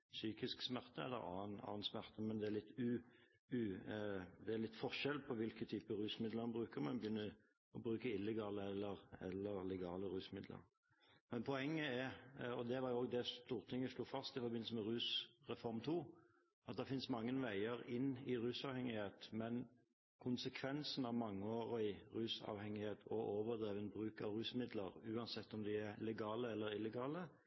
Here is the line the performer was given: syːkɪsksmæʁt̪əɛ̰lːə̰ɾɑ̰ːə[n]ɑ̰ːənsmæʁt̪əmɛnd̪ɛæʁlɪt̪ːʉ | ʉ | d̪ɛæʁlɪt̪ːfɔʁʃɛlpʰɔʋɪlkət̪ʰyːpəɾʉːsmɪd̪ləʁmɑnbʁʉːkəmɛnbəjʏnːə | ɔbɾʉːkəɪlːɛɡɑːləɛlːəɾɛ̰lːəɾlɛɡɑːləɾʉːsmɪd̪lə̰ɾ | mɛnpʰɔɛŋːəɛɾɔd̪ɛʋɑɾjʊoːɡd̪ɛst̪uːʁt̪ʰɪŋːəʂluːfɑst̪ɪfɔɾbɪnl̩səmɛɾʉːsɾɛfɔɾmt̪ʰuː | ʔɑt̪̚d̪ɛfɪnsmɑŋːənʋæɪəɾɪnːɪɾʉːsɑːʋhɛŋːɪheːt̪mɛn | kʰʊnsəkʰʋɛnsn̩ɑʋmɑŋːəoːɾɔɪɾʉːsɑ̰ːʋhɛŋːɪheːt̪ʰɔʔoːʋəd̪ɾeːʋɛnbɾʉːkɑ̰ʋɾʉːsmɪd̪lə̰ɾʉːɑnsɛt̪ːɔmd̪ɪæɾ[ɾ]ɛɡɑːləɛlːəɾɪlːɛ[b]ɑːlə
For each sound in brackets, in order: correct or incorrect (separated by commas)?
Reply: correct, incorrect, incorrect